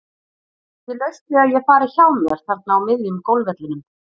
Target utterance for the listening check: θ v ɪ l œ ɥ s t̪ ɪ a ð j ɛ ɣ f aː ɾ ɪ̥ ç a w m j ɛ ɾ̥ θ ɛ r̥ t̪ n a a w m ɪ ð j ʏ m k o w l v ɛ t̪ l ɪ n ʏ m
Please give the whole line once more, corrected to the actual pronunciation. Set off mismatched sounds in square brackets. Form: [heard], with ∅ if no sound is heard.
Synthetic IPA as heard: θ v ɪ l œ ɥ s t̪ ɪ a ð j ɛ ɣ f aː ɾ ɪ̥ ç a w m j ɛ ɾ̥ θ ɛ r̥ t̪ n a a w m ɪ ð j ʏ m k o w l v ɛ t̪ l ɪ n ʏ m